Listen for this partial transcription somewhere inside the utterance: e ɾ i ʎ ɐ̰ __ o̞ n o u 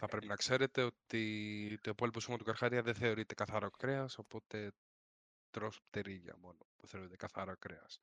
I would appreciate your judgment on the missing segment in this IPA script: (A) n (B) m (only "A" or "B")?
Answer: B